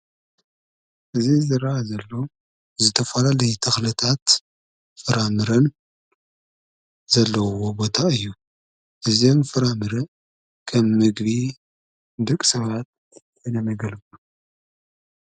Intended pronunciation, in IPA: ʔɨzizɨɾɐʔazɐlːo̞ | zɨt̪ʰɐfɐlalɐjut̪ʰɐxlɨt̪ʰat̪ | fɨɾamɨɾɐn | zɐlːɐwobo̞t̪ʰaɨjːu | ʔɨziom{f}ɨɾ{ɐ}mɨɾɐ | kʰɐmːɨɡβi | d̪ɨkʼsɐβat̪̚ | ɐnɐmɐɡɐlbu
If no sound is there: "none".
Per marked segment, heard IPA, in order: f, a

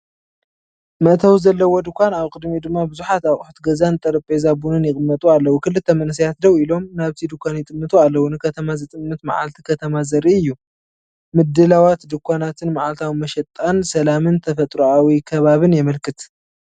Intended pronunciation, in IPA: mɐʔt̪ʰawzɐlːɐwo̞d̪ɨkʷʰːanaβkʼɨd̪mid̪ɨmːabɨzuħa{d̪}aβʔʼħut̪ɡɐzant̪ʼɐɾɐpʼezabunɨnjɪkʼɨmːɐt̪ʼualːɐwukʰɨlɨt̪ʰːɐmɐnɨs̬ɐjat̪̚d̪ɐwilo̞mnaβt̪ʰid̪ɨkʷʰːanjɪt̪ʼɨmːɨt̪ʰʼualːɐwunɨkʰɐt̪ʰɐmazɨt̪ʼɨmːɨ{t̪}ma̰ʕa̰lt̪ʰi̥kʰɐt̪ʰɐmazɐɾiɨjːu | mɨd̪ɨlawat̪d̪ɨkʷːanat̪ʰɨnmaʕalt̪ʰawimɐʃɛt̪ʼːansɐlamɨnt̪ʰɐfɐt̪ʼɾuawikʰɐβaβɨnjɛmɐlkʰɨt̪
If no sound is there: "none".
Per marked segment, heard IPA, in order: t̪, t̪

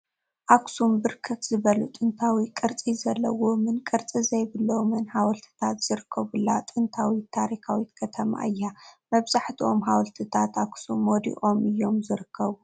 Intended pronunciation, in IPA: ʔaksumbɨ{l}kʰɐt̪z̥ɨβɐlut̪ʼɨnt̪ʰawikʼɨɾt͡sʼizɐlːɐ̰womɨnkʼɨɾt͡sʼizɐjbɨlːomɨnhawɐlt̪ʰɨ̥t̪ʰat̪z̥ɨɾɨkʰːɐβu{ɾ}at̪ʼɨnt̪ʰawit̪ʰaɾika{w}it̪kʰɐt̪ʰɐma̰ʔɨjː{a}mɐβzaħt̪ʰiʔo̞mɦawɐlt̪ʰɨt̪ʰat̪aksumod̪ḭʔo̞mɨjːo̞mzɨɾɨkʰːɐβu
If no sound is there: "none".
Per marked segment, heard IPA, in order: ɾ, l, w, a

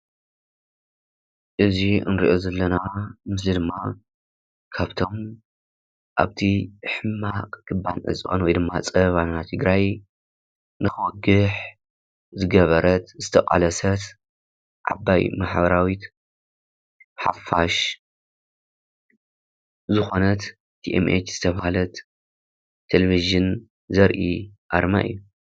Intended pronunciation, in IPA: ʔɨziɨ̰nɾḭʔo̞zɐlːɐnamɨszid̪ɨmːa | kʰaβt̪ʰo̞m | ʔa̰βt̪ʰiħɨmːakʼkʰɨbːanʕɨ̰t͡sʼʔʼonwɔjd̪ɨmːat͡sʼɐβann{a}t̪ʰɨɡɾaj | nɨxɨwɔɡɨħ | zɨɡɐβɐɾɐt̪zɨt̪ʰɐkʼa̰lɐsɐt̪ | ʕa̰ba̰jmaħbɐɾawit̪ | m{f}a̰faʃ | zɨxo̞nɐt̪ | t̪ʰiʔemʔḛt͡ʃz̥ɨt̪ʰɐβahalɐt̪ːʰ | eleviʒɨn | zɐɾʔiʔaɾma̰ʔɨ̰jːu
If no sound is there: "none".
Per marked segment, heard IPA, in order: a, ħ

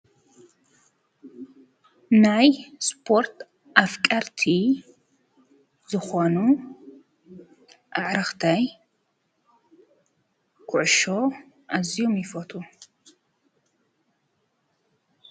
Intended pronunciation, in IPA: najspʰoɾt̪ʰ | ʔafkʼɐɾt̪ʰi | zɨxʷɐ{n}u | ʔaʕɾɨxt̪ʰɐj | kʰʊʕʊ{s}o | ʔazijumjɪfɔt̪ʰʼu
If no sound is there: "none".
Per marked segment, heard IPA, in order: n, ʃ

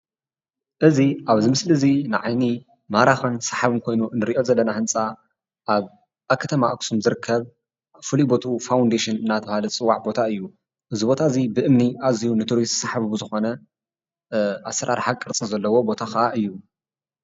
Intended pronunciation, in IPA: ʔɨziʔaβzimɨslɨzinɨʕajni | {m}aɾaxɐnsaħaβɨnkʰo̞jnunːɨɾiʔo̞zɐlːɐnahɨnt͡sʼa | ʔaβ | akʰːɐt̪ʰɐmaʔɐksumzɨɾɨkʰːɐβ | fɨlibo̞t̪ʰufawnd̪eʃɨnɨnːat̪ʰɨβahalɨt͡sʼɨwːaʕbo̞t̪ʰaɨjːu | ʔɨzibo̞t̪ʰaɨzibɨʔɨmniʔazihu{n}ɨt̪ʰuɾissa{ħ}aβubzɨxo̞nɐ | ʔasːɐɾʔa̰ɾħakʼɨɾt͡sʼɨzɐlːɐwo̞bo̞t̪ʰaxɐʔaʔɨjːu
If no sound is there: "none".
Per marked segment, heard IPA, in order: m, n, ħ

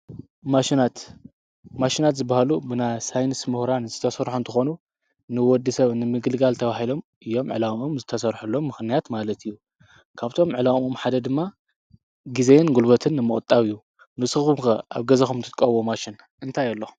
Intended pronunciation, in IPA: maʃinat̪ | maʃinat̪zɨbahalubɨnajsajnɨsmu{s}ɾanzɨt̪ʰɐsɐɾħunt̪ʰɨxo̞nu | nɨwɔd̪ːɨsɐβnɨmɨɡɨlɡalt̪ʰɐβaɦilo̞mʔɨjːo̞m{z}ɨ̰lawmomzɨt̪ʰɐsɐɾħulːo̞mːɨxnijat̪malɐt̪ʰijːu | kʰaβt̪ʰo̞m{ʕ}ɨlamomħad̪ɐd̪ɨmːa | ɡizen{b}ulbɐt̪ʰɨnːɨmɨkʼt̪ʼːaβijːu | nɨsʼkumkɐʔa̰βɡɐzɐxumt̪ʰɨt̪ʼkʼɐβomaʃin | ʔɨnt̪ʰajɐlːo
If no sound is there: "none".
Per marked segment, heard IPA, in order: h, ʕ, ʕ, ɡ

